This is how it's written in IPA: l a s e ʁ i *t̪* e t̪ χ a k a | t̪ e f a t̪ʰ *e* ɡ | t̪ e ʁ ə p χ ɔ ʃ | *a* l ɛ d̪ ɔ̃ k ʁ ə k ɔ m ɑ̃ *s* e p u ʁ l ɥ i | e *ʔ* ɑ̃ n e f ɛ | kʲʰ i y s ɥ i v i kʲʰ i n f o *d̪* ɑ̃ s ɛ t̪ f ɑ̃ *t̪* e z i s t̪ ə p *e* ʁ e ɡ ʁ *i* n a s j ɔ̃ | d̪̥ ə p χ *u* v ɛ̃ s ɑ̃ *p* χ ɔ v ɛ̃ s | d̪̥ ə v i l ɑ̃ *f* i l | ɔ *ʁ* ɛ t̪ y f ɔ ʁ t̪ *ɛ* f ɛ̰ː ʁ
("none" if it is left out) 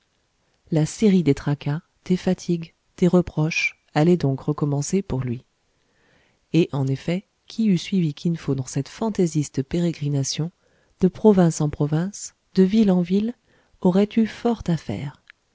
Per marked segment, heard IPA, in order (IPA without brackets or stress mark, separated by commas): d̪, i, a, s, ʔ, d̪, t̪, e, i, ɔ, p, v, ʁ, a